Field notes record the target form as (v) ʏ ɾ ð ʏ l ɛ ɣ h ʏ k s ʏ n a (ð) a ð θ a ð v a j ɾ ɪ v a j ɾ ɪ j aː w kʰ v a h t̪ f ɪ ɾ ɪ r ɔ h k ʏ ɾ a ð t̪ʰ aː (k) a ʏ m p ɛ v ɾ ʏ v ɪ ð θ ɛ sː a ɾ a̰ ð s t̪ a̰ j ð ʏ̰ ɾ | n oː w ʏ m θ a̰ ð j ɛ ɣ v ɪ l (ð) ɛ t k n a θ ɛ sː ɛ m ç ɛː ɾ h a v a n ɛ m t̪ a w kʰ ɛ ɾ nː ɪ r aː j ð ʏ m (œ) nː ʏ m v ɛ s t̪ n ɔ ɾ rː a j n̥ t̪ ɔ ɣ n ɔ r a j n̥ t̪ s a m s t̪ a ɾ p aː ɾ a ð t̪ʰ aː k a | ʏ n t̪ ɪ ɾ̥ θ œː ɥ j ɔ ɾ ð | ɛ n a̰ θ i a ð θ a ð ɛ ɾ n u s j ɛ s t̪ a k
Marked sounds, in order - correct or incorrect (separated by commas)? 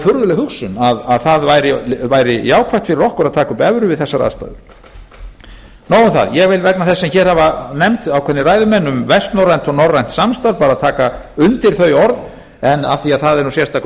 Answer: incorrect, correct, correct, incorrect, incorrect